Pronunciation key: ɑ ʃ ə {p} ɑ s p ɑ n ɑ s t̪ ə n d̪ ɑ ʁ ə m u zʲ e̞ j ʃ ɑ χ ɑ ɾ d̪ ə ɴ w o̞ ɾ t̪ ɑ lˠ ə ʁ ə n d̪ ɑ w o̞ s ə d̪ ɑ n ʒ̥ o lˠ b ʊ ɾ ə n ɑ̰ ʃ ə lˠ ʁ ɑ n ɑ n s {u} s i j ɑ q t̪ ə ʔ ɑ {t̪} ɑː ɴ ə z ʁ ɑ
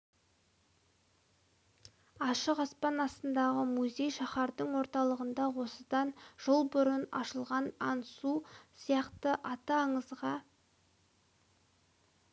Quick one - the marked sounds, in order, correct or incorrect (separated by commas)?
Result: incorrect, correct, correct